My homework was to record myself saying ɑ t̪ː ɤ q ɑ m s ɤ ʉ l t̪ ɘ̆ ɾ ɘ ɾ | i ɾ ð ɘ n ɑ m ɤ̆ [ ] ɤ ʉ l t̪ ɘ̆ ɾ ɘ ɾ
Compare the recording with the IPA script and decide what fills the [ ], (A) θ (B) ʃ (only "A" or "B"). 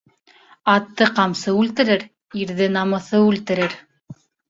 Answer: A